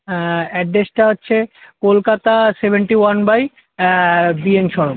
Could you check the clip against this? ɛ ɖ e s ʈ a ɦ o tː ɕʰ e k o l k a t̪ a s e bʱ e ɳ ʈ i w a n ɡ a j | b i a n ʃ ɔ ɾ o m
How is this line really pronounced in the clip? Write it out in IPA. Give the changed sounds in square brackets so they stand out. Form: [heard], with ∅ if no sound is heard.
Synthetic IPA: ɛ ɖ e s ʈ a ɦ o tː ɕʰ e k o l k a t̪ a s e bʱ e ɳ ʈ i w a n [b] a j | b i [e] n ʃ ɔ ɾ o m